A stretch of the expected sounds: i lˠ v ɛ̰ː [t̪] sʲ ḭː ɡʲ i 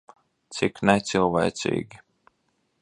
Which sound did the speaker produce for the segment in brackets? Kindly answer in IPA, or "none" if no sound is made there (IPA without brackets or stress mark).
t̪